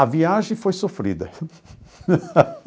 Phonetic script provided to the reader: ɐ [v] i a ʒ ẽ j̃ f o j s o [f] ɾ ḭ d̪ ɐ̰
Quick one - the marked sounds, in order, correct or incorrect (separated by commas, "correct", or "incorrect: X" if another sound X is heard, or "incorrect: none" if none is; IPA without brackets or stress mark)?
correct, correct